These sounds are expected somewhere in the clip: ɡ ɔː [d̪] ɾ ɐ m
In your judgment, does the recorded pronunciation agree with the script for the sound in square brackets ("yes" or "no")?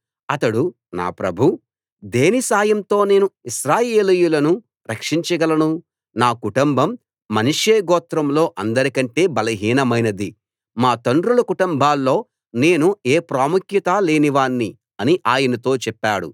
no